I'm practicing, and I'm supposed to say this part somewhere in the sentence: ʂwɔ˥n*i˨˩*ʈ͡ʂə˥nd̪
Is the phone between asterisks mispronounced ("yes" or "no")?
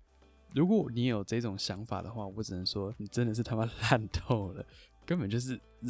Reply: no